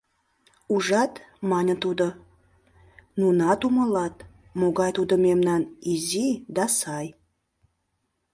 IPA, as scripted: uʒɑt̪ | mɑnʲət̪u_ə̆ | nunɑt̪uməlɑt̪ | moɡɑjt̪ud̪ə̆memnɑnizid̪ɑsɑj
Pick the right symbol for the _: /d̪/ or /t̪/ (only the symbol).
d̪